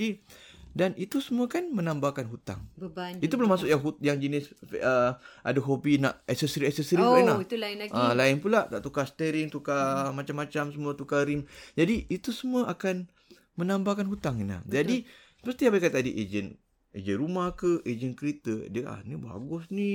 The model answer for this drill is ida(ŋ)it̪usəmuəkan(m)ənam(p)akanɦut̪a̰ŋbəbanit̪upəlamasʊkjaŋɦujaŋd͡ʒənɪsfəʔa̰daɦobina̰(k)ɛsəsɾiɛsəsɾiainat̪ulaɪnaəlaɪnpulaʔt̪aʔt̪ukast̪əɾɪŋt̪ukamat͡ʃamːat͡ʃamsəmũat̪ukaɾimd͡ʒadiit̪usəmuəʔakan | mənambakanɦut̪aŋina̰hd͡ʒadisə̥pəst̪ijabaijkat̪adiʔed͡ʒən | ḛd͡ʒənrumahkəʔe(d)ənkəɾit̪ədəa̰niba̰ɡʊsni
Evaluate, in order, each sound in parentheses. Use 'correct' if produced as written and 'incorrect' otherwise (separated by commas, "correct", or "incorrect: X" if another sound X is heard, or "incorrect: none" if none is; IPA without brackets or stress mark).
incorrect: n, correct, incorrect: b, incorrect: ʔ, incorrect: d͡ʒ